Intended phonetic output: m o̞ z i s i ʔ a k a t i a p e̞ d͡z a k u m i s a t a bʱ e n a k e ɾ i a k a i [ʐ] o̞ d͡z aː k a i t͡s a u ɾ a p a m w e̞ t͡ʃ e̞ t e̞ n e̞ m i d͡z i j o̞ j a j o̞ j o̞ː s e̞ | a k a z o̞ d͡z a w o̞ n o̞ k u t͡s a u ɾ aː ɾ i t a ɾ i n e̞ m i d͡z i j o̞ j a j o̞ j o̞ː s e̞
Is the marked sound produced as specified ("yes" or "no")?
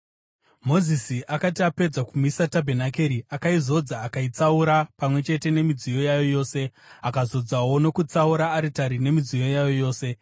no